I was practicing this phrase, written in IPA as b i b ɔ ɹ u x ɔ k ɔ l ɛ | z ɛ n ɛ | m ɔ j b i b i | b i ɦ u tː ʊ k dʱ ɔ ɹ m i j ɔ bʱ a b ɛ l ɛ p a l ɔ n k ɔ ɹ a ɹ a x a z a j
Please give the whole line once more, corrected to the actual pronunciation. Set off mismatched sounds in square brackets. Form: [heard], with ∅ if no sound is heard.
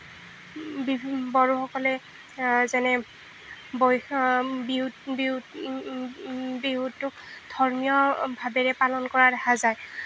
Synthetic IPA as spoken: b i b ɔ ɹ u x ɔ k ɔ l ɛ | z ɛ n ɛ | [b] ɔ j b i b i | b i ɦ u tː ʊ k dʱ ɔ ɹ m i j ɔ bʱ a b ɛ [ɹ] ɛ p a l ɔ n k ɔ ɹ a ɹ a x a z a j